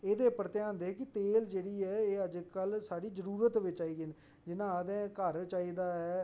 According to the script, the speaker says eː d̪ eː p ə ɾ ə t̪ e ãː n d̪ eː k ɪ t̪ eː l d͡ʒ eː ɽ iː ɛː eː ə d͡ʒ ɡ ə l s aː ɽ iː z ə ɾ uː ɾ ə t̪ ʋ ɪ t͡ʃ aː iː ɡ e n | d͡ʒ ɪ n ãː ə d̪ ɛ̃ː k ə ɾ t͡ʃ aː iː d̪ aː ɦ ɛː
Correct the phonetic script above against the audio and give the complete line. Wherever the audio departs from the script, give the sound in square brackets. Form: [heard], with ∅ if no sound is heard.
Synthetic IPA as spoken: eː d̪ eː p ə ɾ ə t̪ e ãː n d̪ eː k ɪ t̪ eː l d͡ʒ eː ɽ iː ɛː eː ə d͡ʒ [k] ə l s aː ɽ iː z ə ɾ uː ɾ ə t̪ ʋ ɪ t͡ʃ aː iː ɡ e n | d͡ʒ ɪ n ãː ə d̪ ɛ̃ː k ə ɾ t͡ʃ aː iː d̪ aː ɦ ɛː